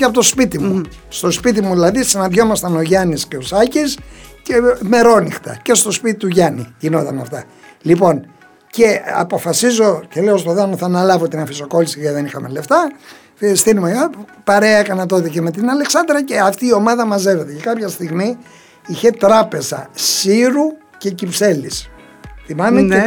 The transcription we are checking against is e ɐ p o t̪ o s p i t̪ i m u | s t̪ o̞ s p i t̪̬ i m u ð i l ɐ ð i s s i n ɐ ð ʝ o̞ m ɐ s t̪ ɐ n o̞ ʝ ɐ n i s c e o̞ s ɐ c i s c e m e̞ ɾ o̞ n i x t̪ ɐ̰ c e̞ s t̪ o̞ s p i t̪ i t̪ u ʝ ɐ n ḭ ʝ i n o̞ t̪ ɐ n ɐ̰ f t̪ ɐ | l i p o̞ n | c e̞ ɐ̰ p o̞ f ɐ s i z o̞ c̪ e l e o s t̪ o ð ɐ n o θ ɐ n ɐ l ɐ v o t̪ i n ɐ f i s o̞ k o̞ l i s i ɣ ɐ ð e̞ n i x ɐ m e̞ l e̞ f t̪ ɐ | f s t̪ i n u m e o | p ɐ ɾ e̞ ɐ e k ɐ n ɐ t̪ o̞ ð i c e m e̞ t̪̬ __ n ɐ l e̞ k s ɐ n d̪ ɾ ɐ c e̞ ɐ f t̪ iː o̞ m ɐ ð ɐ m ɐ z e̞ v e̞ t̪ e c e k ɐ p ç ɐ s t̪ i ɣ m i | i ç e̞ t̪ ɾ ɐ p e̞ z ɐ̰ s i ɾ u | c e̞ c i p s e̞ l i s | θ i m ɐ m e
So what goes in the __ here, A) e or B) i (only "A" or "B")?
B